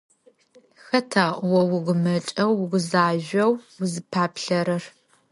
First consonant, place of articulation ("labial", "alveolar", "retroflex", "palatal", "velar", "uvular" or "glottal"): velar